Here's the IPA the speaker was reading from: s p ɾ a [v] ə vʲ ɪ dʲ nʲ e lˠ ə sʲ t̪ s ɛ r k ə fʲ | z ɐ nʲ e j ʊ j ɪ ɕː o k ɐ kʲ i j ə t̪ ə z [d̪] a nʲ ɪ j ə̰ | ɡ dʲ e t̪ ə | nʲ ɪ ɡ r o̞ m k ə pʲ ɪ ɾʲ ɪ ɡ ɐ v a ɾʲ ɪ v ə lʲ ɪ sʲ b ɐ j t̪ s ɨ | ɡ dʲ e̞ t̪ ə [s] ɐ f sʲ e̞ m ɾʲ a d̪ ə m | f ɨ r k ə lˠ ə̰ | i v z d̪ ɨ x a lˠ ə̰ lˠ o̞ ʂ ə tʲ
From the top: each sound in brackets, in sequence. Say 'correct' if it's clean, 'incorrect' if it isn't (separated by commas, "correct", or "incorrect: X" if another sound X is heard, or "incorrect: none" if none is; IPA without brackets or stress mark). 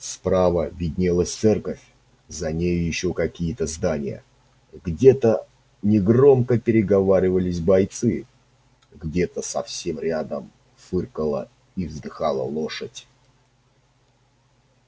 correct, correct, correct